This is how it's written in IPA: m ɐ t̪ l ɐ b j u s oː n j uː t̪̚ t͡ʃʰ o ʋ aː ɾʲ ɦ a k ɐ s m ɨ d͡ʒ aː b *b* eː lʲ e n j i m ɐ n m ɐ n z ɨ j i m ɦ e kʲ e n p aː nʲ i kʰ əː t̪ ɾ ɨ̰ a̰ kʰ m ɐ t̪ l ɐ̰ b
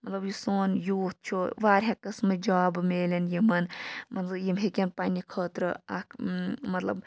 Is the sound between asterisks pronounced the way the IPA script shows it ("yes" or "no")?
no